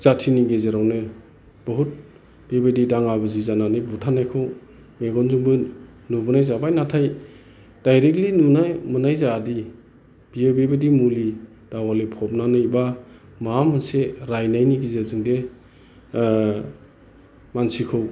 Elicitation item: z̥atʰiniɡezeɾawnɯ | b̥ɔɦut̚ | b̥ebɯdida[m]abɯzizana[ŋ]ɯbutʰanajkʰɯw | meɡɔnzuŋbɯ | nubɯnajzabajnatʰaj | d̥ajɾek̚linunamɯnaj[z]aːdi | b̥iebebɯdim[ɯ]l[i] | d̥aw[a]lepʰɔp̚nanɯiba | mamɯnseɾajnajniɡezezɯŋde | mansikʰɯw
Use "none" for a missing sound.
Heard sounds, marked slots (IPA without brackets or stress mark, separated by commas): ŋ, n, z, u, i, a